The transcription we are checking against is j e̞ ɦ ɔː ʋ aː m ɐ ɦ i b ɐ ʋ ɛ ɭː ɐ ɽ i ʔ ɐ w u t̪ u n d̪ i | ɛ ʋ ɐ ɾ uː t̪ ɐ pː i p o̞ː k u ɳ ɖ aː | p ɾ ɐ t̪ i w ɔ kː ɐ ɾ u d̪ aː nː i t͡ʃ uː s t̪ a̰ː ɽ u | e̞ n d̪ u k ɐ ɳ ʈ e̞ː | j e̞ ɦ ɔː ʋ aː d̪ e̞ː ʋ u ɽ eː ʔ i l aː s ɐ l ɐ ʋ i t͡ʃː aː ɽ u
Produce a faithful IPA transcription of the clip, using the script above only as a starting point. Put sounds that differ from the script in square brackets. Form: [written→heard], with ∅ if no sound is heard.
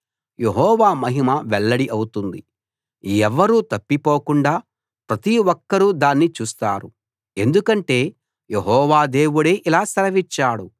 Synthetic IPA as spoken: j e̞ ɦ ɔː ʋ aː m ɐ ɦ i [b→m] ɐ ʋ ɛ ɭː ɐ ɽ i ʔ ɐ w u t̪ u n d̪ i | ɛ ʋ ɐ ɾ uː t̪ ɐ pː i p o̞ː k u ɳ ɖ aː | p ɾ ɐ t̪ i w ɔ kː ɐ ɾ u d̪ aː nː i t͡ʃ uː s t̪ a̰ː [ɽ→ɾ] u | e̞ n d̪ u k ɐ ɳ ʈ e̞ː | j e̞ ɦ ɔː ʋ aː d̪ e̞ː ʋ u ɽ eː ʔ i l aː s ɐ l ɐ ʋ i t͡ʃː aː ɽ u

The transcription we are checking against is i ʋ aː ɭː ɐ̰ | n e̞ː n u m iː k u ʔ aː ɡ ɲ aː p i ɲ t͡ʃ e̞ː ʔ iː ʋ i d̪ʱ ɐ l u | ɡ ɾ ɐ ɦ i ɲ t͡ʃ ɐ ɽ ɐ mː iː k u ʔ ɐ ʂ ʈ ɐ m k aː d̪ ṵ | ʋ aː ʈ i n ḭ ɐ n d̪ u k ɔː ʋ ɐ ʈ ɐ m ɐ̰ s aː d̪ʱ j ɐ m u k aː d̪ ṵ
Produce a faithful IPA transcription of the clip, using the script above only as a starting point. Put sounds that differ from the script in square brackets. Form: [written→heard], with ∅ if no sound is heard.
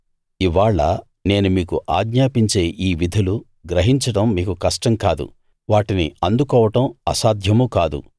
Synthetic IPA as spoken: i ʋ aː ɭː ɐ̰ | n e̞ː n u m iː k u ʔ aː ɡ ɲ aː p i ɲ t͡ʃ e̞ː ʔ iː ʋ i d̪ʱ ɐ l u | ɡ ɾ ɐ ɦ i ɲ t͡ʃ ɐ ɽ ɐ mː iː k u [ʔ→k] ɐ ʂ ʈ ɐ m k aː d̪ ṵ | ʋ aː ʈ i n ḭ ɐ n d̪ u k ɔː ʋ ɐ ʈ ɐ m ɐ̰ s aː d̪ʱ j ɐ m u k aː d̪ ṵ

